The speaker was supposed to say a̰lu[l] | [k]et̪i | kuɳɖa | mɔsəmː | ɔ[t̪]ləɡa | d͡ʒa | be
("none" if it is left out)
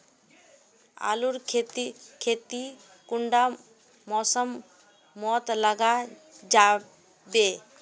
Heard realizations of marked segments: ɾ, kʰ, t̪

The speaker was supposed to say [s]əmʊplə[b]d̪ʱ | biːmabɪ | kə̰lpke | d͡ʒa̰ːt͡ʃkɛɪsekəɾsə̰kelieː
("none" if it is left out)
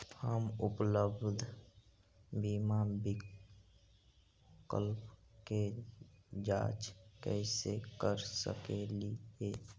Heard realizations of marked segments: h, b

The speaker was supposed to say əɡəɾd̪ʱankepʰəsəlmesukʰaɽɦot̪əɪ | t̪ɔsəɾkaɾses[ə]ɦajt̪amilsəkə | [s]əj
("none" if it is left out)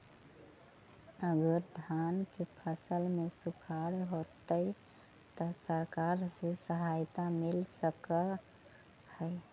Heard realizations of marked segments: ə, h

